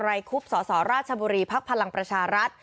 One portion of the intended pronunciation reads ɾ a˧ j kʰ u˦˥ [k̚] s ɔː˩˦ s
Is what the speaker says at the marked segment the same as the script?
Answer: no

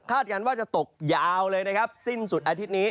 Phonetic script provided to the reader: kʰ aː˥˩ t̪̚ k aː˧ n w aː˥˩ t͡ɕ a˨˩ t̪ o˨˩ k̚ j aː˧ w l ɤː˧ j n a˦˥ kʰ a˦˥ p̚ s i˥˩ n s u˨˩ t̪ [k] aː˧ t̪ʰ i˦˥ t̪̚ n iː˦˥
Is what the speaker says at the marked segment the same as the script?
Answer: no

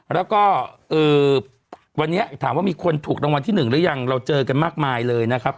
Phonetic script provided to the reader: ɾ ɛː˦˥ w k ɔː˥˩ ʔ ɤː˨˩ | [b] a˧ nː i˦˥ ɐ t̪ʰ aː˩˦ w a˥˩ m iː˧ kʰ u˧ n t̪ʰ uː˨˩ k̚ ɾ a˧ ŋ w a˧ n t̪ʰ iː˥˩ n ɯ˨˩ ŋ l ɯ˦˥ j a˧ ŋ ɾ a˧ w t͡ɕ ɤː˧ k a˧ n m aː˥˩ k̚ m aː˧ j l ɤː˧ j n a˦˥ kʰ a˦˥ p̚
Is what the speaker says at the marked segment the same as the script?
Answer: no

